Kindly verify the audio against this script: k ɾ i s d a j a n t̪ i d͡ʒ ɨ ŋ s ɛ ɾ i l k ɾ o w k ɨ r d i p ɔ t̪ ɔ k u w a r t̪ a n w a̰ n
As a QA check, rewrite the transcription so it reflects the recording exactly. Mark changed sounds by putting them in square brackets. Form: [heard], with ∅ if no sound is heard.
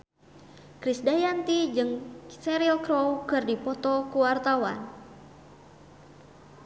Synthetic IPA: k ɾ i s d a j a n t̪ i d͡ʒ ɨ ŋ s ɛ ɾ i l k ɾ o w k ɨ r d i p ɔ t̪ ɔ k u w a r t̪ a [∅] w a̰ n